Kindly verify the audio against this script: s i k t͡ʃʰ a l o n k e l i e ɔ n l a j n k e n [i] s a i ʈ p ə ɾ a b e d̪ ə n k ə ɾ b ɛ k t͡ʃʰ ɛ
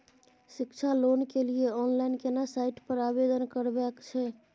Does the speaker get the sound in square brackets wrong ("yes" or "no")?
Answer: yes